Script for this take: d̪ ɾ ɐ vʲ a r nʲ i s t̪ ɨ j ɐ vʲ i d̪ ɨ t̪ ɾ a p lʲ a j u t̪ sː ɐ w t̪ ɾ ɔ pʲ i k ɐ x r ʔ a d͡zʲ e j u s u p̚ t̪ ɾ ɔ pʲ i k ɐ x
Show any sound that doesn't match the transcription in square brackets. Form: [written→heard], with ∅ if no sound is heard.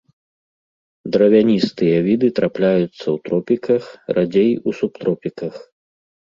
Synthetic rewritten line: d̪ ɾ ɐ vʲ a [r→∅] nʲ i s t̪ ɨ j ɐ vʲ i d̪ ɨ t̪ ɾ a p lʲ a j u t̪ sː ɐ w t̪ ɾ ɔ pʲ i k ɐ x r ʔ a d͡zʲ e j u s u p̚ t̪ ɾ ɔ pʲ i k ɐ x